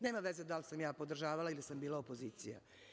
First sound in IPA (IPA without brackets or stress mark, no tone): n